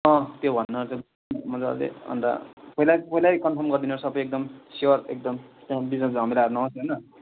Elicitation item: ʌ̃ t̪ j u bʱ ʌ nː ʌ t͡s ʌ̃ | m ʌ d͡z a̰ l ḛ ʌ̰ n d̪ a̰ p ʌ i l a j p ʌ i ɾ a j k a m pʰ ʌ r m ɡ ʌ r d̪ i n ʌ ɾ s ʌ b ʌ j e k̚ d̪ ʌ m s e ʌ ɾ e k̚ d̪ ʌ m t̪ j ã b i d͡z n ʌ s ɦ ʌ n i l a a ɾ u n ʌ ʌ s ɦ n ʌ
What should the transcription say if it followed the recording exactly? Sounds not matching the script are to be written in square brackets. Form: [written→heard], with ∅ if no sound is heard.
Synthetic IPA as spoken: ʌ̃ t̪ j [u→o] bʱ ʌ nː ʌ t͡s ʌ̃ | m ʌ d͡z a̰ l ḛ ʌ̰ n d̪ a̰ p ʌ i l a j p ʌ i [ɾ→l] a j k [a→ʌ] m pʰ ʌ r m ɡ ʌ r d̪ i n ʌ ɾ s ʌ b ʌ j e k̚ d̪ ʌ m s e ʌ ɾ e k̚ d̪ ʌ m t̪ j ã b i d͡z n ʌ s ɦ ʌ [n→m] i l a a ɾ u n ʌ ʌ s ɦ n ʌ